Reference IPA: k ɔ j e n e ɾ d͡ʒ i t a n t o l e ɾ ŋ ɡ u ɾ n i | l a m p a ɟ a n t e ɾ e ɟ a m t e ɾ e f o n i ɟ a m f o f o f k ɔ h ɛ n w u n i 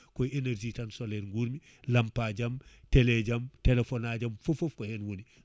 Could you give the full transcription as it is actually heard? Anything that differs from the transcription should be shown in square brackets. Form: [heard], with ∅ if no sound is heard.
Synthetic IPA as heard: k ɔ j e n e ɾ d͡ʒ i t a n [s] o l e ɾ ŋ ɡ u ɾ [m] i | l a m p a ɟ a [m] t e [l] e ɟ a m t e [l] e f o n [a] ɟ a m f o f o f k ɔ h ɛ n w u n i